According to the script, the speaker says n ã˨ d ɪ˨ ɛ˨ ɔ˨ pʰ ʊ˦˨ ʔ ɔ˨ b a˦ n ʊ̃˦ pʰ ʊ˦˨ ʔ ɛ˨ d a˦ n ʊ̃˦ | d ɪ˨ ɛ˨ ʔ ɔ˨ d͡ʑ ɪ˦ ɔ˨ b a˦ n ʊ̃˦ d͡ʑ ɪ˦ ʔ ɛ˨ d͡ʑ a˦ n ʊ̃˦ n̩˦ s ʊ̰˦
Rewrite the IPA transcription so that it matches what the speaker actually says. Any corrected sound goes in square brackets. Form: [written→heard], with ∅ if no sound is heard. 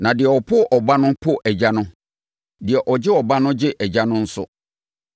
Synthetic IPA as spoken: n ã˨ d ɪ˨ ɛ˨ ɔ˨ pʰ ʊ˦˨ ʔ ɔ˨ b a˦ n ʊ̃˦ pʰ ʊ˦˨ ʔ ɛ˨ [d→d͡ʑ] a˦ n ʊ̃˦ | d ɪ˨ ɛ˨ ʔ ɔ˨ d͡ʑ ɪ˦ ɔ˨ b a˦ n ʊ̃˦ d͡ʑ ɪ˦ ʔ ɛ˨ d͡ʑ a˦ n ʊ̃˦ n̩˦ s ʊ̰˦

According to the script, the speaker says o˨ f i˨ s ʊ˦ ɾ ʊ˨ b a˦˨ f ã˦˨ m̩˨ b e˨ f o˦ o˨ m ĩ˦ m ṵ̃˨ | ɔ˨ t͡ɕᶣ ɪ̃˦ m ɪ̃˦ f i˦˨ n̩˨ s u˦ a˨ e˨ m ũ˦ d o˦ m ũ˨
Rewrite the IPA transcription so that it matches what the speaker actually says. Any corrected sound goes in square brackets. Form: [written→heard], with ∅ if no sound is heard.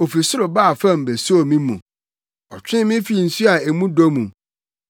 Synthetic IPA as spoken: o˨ f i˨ s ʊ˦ ɾ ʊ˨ b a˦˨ f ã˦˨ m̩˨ b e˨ [f→s] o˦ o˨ m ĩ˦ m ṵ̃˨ | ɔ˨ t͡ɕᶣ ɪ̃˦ m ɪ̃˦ f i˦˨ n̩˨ s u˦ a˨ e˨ m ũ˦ d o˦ m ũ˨

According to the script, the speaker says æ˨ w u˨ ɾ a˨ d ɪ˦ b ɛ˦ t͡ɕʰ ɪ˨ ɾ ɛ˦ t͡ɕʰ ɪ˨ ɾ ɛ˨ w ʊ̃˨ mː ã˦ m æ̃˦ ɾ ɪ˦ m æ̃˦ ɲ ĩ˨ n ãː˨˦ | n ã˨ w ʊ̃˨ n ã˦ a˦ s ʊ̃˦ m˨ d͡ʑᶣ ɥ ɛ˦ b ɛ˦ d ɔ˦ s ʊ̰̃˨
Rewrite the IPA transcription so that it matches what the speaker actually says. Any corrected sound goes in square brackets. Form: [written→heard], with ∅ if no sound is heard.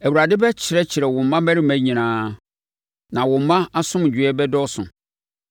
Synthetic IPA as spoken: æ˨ w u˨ ɾ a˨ d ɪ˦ b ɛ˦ t͡ɕʰ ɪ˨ ɾ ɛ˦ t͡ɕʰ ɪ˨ ɾ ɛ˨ w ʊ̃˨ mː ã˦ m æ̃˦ ɾ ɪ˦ m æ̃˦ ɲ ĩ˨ n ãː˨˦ | n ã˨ w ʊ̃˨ [n→m] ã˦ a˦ s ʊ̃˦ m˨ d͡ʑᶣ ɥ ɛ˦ b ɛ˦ d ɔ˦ s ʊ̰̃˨

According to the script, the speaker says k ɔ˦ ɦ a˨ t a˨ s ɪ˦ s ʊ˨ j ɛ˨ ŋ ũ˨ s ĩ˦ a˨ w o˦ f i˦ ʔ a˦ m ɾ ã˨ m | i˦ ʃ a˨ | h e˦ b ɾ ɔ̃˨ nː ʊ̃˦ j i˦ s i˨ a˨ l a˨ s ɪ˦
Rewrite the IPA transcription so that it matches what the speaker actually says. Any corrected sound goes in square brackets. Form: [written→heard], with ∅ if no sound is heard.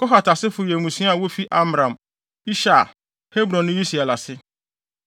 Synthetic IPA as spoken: k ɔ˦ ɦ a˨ t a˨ s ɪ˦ [s→f] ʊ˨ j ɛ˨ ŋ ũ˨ s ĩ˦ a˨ w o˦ f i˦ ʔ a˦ m ɾ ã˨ m | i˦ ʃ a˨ | h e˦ b ɾ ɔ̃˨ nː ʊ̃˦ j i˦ s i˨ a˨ l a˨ s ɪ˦

